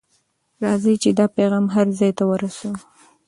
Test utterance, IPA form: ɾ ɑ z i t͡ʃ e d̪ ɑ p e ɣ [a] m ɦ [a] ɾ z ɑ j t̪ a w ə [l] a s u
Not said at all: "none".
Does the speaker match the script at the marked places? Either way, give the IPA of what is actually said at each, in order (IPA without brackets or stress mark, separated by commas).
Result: ɑ, a, ɾ